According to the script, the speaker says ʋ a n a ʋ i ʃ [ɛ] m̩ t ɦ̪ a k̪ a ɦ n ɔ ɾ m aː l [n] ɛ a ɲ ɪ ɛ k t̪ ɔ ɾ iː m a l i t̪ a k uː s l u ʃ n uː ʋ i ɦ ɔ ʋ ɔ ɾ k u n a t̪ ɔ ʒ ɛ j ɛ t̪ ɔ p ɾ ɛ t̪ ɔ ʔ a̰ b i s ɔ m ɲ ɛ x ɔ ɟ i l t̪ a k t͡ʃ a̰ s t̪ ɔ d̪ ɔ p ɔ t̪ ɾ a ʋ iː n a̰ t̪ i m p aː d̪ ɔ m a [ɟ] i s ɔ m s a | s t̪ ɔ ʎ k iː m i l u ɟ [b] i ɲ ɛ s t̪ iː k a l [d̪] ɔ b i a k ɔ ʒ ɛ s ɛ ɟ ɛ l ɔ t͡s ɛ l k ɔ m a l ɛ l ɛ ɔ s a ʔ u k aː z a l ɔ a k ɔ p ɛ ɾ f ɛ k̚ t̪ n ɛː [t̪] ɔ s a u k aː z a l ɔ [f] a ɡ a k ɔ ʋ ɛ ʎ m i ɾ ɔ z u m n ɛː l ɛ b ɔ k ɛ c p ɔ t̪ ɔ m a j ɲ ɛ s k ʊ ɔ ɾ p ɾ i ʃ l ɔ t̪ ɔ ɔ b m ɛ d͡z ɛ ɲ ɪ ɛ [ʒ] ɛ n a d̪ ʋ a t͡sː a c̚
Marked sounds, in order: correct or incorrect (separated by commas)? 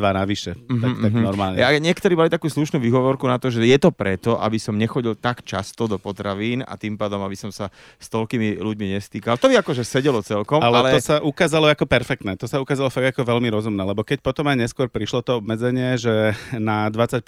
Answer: correct, incorrect, incorrect, incorrect, incorrect, correct, correct, correct